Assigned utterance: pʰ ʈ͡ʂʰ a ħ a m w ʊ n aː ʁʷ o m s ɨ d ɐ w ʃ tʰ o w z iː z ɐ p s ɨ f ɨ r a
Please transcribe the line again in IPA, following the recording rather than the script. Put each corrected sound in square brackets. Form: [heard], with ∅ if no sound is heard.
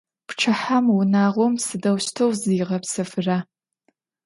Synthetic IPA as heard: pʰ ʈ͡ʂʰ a ħ a m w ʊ n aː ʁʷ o m s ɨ d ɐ w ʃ tʰ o w z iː [ʁ] ɐ p s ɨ f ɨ r a

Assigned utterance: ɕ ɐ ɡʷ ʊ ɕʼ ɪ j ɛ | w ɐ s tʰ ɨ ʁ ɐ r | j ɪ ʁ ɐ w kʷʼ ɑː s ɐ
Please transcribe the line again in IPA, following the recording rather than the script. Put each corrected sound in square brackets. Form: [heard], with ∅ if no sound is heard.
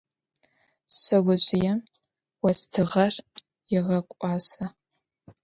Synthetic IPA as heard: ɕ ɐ ɡʷ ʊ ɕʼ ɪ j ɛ | w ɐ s tʰ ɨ ʁ ɐ r | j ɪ ʁ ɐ [∅] kʷʼ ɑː s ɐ

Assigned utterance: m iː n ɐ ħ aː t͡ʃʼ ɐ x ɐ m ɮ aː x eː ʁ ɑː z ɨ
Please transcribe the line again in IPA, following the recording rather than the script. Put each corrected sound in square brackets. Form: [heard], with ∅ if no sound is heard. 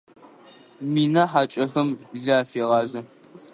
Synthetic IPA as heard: m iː n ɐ ħ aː t͡ʃʼ ɐ x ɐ m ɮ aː [f] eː ʁ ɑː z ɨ

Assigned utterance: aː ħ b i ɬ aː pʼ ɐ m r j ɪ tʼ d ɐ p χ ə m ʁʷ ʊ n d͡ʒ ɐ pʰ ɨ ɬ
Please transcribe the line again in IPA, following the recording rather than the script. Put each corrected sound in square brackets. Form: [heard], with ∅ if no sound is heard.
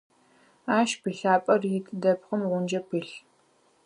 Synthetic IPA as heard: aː [ʃ] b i ɬ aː pʼ ɐ [∅] r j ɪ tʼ d ɐ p χ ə m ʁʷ ʊ n d͡ʒ ɐ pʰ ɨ ɬ

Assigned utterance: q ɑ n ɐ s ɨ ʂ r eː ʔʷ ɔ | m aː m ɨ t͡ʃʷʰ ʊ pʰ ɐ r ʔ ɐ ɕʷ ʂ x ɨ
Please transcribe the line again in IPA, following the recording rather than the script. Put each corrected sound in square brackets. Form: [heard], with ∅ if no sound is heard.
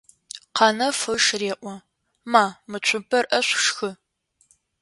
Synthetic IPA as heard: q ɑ n ɐ [f] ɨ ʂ r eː ʔʷ ɔ | m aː m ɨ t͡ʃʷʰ ʊ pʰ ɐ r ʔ ɐ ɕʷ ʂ x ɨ

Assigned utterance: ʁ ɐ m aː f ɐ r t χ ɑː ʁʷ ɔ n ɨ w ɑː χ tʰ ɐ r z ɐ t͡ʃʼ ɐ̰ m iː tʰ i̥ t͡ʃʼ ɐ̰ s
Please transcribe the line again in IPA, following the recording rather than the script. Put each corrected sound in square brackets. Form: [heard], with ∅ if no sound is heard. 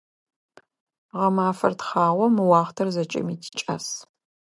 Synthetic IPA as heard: ʁ ɐ m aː f ɐ r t χ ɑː ʁʷ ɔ [m] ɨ w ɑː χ tʰ ɐ r z ɐ t͡ʃʼ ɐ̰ m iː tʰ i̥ t͡ʃʼ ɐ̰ s

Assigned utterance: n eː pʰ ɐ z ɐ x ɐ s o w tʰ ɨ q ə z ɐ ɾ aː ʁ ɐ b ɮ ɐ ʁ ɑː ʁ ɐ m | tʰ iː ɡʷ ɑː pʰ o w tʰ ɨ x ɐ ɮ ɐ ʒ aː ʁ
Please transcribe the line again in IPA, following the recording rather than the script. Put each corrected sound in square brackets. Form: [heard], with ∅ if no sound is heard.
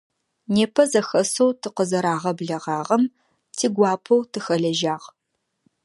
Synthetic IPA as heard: n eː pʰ ɐ z ɐ x ɐ s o w tʰ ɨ q ə z ɐ ɾ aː ʁ ɐ b ɮ ɐ ʁ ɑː ʁ ɐ m | tʰ iː ɡʷ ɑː pʰ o w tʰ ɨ x ɐ ɮ ɐ ʒ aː ʁ

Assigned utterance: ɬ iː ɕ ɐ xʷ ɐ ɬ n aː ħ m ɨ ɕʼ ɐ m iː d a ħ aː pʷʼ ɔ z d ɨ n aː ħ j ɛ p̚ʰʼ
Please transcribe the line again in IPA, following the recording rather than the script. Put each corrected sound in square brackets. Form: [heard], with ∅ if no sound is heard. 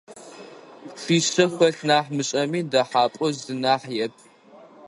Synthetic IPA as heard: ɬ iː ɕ ɐ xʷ ɐ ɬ n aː ħ m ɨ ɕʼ ɐ m iː d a ħ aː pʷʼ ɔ z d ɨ n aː ħ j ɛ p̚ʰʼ

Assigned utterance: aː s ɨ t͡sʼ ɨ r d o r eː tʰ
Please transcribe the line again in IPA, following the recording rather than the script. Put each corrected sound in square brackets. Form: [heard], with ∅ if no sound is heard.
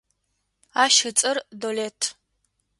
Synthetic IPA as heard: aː [ʃ] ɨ t͡sʼ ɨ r d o [l] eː tʰ

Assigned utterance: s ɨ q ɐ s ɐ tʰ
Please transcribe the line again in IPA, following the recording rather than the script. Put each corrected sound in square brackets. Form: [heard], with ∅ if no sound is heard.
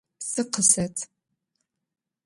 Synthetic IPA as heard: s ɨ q [ə] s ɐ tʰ

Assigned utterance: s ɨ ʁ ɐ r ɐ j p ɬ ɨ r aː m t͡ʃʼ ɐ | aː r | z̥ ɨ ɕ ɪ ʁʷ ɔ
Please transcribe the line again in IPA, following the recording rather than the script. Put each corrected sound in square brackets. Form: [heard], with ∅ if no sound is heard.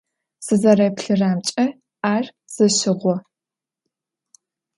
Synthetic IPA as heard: s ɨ [z] ɐ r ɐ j p ɬ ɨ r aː m t͡ʃʼ ɐ | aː r | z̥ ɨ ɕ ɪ ʁʷ ɔ

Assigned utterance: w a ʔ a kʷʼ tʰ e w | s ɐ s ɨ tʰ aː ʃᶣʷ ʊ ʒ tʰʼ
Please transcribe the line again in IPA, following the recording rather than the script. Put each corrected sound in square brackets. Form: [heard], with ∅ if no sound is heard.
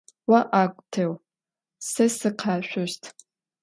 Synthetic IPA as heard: w a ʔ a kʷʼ tʰ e w | s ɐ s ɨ [qʰ] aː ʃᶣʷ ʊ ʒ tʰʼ

